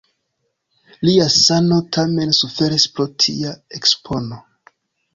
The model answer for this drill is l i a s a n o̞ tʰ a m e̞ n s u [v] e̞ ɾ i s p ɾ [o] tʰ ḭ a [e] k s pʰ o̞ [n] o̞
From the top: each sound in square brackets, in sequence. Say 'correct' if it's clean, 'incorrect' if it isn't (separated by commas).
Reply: incorrect, correct, correct, correct